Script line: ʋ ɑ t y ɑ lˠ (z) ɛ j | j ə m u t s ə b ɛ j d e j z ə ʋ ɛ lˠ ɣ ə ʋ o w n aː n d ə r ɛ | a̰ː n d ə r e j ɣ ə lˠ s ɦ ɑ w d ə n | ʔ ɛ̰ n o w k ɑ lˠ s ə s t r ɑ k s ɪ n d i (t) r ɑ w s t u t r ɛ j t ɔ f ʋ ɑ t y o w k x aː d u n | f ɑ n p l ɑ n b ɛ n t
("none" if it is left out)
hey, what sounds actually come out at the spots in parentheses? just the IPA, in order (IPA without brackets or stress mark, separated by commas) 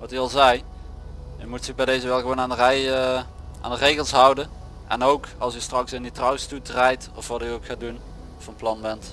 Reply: z, t